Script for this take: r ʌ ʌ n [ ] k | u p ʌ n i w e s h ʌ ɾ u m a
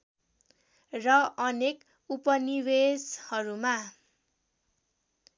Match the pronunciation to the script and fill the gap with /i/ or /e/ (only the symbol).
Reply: e